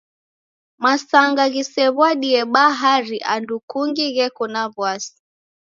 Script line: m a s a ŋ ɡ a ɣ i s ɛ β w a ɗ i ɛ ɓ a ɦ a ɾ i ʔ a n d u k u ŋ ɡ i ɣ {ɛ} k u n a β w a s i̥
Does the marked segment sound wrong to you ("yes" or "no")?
no